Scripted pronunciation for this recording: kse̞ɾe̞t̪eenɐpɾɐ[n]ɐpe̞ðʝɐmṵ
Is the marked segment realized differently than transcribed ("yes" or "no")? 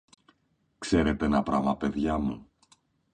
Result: yes